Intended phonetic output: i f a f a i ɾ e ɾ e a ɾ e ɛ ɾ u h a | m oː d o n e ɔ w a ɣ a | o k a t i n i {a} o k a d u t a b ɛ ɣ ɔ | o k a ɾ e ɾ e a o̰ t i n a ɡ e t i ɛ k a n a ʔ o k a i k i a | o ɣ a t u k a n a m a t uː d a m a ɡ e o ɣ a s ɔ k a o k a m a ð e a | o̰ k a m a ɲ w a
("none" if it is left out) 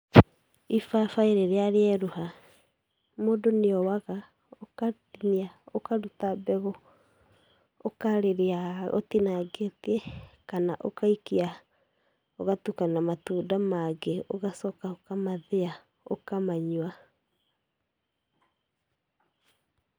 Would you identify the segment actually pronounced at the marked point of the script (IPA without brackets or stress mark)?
a